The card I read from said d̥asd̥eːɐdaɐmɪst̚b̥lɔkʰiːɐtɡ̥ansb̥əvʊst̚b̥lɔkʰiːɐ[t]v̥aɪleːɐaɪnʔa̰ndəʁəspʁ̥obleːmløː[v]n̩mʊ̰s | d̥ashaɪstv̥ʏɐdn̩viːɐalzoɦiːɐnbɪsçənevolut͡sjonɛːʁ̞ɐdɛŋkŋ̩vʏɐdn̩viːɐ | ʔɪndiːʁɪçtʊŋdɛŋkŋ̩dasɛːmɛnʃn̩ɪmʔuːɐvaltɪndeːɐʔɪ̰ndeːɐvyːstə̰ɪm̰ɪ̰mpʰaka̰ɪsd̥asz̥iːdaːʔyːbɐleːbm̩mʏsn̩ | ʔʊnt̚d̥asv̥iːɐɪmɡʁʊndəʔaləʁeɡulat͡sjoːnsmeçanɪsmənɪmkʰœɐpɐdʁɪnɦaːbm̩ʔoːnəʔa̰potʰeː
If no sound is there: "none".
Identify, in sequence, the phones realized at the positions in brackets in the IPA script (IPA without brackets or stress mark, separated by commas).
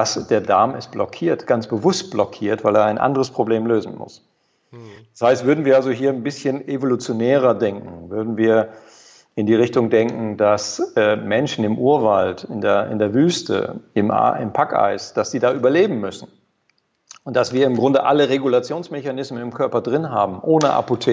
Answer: t, z